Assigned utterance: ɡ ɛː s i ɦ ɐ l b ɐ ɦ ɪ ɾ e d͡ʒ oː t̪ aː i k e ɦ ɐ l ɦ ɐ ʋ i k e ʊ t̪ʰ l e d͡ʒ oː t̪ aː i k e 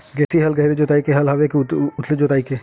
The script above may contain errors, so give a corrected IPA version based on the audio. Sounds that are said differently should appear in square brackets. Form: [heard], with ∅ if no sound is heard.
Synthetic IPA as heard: ɡ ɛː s i ɦ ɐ l [ɡ] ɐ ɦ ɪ ɾ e d͡ʒ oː t̪ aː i k e ɦ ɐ l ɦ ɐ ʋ [e] k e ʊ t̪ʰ l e d͡ʒ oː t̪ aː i k e